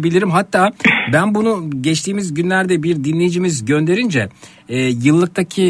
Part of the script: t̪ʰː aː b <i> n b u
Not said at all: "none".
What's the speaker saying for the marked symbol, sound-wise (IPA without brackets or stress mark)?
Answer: æ